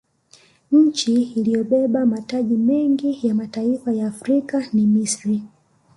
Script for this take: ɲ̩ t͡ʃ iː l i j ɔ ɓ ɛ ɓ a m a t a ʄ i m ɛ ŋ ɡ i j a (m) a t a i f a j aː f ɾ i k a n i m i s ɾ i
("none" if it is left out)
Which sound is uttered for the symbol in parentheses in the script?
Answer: m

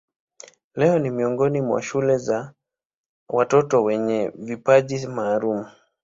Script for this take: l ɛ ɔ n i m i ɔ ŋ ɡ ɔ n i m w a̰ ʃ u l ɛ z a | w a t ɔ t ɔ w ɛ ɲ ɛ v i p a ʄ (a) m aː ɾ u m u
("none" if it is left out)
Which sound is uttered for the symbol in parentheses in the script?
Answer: i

